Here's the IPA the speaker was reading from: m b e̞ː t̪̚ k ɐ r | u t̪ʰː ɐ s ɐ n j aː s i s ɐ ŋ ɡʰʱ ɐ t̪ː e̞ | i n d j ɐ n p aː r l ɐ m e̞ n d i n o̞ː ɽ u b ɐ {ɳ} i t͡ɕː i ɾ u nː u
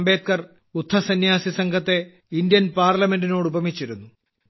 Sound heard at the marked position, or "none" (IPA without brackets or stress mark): m